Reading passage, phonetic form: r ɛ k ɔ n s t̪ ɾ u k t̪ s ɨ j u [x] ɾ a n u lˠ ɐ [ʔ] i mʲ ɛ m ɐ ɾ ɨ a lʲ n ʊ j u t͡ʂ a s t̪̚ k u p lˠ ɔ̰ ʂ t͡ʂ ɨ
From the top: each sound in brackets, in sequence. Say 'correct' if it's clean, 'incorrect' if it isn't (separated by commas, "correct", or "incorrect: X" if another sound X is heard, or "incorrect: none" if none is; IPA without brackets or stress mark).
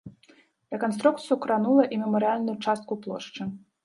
incorrect: k, correct